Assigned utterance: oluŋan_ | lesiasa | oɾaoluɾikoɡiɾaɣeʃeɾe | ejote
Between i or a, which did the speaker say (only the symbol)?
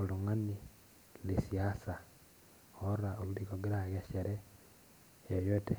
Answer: i